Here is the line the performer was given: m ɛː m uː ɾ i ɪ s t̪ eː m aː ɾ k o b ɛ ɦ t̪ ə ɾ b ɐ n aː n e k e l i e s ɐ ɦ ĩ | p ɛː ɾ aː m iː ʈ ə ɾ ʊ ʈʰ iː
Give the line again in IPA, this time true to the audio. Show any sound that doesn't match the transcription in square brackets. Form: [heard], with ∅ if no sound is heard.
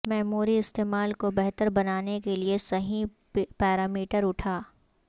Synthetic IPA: m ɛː m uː ɾ i ɪ s t̪ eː m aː [l] k o b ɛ ɦ t̪ ə ɾ b ɐ n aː n e k e l i e s ɐ ɦ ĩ | p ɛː ɾ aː m iː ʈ ə ɾ ʊ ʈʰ [aː]

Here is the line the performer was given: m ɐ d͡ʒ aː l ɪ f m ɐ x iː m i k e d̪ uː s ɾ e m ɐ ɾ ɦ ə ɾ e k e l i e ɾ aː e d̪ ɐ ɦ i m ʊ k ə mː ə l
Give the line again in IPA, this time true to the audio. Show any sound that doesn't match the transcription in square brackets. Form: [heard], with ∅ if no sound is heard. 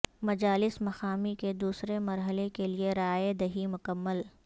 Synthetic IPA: m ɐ d͡ʒ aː l ɪ [s] m ɐ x [aː] m i k e d̪ uː s ɾ e m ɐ ɾ ɦ ə [l] e k e l i e ɾ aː e d̪ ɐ ɦ i m ʊ k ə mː ə l

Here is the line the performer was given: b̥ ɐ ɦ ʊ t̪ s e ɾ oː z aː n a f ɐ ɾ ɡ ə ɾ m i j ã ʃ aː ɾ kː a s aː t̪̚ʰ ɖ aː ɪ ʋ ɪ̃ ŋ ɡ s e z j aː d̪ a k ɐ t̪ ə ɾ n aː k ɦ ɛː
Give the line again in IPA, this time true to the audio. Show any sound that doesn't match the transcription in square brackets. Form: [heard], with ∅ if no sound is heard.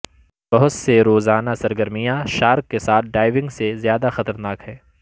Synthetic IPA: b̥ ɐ ɦ ʊ t̪ s e ɾ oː z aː n a [s] ɐ ɾ ɡ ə ɾ m i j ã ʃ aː ɾ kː [e] s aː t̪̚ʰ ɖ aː ɪ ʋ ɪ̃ ŋ ɡ s e z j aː d̪ a [x] ɐ t̪ ə ɾ n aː k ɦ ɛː

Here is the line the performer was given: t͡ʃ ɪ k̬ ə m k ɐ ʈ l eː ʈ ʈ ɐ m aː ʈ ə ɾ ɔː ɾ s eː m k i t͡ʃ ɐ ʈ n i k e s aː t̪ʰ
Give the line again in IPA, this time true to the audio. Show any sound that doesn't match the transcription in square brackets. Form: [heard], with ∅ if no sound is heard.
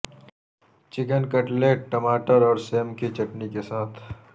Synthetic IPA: t͡ʃ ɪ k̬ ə [n] k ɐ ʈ l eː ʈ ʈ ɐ m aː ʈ ə ɾ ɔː ɾ s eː m k i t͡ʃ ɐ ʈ n i k e s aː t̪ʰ

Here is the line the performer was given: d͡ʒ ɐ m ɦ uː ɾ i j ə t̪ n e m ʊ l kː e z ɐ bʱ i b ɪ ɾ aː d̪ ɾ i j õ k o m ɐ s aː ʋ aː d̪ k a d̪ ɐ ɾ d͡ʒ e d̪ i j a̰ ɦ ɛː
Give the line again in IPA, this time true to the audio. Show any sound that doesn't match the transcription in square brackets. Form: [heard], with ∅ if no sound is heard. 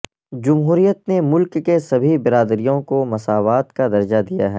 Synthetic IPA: d͡ʒ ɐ m ɦ uː ɾ i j ə t̪ n e m ʊ l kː e [s] ɐ bʱ i b ɪ ɾ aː d̪ ɾ i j õ k o m ɐ s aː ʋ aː [t̪] k a d̪ ɐ ɾ d͡ʒ [a] d̪ i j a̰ ɦ ɛː

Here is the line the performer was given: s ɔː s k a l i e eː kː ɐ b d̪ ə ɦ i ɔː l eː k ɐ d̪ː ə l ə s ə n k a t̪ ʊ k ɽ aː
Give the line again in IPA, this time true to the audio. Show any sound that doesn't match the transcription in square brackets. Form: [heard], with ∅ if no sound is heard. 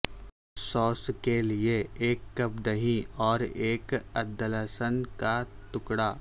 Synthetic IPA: s ɔː s k [e] l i e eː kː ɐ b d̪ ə ɦ i ɔː [ɾ] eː k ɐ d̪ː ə l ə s ə n k a t̪ ʊ k ɽ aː

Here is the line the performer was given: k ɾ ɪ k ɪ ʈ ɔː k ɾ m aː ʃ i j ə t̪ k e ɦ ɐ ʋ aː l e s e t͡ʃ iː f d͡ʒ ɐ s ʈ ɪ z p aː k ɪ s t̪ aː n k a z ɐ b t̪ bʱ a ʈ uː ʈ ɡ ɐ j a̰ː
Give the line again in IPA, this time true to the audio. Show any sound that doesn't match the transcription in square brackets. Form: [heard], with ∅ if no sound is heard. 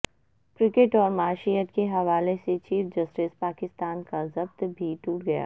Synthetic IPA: k ɾ ɪ k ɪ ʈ ɔː [∅] ɾ m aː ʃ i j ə t̪ k e ɦ ɐ ʋ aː l e s e t͡ʃ iː f d͡ʒ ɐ s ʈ ɪ [s] p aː k ɪ s t̪ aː n k a z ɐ b t̪ bʱ [i] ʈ uː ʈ ɡ ɐ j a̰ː

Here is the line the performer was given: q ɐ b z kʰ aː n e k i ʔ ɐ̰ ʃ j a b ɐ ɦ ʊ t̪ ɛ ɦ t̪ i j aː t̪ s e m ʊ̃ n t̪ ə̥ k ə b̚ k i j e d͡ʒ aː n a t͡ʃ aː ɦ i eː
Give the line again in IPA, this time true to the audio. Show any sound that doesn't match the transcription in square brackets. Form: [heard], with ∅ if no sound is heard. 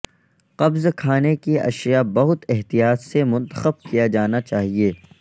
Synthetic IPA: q ɐ b z kʰ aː n e k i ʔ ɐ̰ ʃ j a b ɐ ɦ ʊ t̪ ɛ ɦ t̪ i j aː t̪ s e m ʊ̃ n t̪ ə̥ [x] ə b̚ k i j [a] d͡ʒ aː n a t͡ʃ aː ɦ i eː

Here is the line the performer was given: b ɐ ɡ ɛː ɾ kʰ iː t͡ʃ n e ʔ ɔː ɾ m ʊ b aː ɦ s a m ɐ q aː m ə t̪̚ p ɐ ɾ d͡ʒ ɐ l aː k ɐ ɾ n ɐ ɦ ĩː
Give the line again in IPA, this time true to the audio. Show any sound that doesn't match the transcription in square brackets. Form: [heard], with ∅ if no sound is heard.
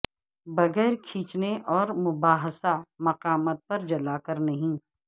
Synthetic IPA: b ɐ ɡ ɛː ɾ kʰ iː t͡ʃ n e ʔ ɔː ɾ m ʊ b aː ɦ s a m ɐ q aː m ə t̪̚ p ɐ ɾ d͡ʒ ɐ l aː k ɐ ɾ n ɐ ɦ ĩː

